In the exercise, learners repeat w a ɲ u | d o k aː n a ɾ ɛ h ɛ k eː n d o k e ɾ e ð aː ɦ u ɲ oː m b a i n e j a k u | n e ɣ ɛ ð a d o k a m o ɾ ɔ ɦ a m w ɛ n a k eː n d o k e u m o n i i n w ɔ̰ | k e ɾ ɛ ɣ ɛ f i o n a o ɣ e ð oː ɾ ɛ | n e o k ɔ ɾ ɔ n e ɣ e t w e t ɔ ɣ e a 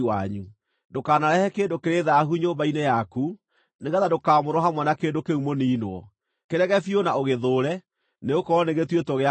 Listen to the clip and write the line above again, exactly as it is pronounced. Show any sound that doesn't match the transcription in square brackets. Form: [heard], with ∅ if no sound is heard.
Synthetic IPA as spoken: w a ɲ u | d o k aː n a ɾ ɛ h ɛ k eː n d o k e ɾ e ð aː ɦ u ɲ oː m b a i n e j a k u | n e ɣ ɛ ð a d o k a m o ɾ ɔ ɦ a m w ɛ n a k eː n d o k e u m o n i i n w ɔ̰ | k e ɾ ɛ ɣ ɛ f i o n a o ɣ e ð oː ɾ ɛ | n e o k ɔ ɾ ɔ n e ɣ e t w e t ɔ ɣ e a